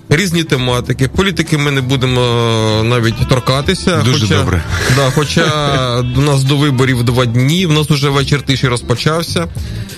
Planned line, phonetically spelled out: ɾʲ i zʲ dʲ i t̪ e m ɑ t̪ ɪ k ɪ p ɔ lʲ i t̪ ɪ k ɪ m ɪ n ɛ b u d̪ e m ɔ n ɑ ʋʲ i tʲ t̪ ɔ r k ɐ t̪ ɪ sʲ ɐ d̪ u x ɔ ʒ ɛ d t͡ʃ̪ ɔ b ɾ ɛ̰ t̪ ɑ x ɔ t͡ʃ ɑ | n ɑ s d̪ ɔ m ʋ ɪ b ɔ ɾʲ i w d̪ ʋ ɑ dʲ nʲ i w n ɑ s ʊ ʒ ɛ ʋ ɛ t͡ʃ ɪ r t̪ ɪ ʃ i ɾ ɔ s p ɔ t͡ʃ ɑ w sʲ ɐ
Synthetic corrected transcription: ɾʲ i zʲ nʲ i t̪ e m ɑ t̪ ɪ k ɪ p ɔ lʲ i t̪ ɪ k ɪ m ɪ n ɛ b u d̪ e m ɔ n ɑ ʋʲ i tʲ t̪ ɔ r k ɑ t̪ ɪ sʲ ɐ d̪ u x ɔ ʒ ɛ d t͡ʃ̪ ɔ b ɾ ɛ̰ d̪ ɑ x ɔ t͡ʃ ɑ | n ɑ s d̪ ɔ ʋ ɪ b ɔ ɾʲ i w d̪ ʋ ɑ dʲ nʲ i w n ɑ s ʊ ʒ ɛ ʋ ɛ t͡ʃ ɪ r t̪ ɪ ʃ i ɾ ɔ s p ɔ t͡ʃ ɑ w sʲ ɐ